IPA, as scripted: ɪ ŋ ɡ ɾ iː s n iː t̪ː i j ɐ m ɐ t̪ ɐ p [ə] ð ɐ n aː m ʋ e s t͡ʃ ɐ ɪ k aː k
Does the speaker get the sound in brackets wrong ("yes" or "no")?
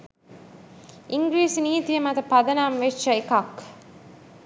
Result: yes